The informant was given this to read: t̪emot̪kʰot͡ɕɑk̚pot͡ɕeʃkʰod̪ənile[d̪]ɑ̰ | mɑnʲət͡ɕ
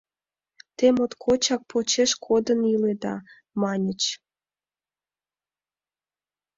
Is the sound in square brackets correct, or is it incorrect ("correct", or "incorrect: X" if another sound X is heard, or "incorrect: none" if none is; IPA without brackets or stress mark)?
correct